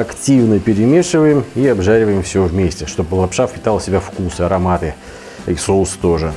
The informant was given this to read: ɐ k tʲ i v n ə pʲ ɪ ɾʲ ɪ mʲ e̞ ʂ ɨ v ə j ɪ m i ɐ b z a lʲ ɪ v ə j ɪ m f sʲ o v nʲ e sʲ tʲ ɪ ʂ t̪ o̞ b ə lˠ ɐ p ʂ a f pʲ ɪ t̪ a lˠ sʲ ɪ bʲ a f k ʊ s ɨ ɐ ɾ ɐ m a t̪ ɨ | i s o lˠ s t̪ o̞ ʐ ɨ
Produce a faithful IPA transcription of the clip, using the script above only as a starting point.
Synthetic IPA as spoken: ɐ k tʲ i v n ə pʲ ɪ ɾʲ ɪ mʲ e̞ ʂ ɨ v ə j ɪ m i ɐ b ʐ a ɾʲ ɪ v ə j ɪ m f sʲ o v mʲ e sʲ tʲ ɪ ʂ t̪ o̞ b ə lˠ ɐ p ʂ a f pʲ ɪ t̪ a lˠ sʲ ɪ bʲ a f k u s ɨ ɐ ɾ ɐ m a t̪ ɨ | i s o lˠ s t̪ o̞ ʐ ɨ